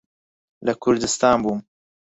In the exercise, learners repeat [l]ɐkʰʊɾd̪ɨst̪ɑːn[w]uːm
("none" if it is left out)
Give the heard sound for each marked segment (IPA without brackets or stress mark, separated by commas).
l, b